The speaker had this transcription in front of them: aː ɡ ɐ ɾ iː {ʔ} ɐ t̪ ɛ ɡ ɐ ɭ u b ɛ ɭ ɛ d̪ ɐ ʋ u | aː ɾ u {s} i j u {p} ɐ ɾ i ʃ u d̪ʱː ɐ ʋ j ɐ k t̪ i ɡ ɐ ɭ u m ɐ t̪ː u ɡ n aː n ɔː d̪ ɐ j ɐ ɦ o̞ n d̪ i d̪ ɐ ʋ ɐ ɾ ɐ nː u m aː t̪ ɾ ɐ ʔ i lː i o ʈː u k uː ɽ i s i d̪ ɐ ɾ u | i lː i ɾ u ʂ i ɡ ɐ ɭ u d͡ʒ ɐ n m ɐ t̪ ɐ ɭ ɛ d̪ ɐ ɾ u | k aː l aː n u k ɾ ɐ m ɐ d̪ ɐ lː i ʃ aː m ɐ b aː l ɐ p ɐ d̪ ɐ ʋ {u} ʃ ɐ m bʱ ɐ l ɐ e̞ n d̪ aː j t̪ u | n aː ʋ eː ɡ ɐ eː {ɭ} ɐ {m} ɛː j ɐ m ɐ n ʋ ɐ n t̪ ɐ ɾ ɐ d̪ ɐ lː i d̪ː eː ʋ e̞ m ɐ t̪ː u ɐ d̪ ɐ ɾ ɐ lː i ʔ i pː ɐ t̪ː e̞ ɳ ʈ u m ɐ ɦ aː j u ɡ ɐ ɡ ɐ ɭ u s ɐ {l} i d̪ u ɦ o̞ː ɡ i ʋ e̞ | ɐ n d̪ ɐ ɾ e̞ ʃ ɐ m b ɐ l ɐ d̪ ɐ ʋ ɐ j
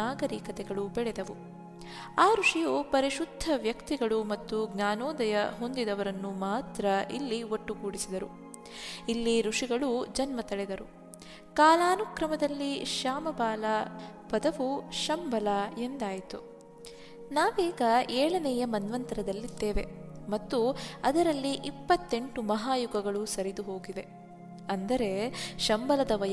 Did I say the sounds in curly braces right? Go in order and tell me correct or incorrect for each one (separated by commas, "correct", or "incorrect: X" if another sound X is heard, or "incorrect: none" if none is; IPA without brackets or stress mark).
incorrect: k, incorrect: ʂ, correct, correct, correct, incorrect: n, incorrect: ɾ